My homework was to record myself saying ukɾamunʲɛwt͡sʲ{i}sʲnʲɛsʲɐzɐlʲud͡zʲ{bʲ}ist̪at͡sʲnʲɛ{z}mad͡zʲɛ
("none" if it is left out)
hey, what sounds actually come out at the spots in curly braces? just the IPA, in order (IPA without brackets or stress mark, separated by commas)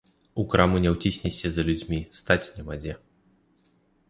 i, mʲ, none